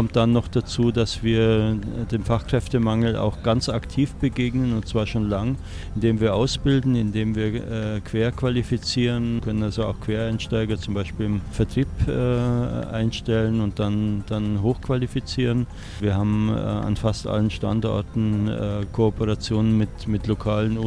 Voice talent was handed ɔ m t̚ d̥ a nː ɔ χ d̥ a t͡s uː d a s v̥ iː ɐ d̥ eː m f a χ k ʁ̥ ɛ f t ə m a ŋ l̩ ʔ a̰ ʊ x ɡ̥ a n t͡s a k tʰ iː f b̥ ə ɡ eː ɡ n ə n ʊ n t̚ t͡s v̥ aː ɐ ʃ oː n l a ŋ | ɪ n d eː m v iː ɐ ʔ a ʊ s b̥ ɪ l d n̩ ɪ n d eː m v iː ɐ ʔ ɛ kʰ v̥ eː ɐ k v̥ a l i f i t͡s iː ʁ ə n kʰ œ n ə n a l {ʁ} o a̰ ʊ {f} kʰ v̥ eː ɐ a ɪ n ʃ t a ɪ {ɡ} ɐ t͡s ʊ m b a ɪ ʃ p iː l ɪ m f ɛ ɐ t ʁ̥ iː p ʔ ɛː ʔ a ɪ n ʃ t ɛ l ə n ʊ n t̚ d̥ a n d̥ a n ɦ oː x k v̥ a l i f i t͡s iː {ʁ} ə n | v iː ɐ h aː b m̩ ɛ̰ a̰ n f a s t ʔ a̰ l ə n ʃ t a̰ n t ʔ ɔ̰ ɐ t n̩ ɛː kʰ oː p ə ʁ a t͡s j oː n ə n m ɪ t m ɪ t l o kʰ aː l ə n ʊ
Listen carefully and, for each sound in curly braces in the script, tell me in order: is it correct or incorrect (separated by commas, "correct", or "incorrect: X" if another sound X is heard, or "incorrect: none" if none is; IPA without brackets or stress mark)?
incorrect: z, incorrect: x, correct, correct